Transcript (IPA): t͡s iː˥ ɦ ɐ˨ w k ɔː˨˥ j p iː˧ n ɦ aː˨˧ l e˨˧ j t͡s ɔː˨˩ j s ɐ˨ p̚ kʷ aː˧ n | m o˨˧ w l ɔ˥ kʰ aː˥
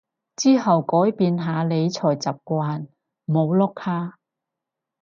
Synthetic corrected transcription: t͡s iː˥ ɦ ɐ˨ w k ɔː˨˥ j p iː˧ n ɦ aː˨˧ l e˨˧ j t͡sʰ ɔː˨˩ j t͡s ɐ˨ p̚ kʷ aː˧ n | m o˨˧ w l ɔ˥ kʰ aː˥

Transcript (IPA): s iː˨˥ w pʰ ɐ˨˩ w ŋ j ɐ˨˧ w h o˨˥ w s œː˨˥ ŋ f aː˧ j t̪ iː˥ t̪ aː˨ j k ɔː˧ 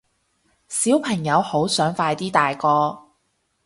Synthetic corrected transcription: s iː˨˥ w pʰ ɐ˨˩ ŋ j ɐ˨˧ w h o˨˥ w s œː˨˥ ŋ f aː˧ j t̪ iː˥ t̪ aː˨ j k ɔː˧

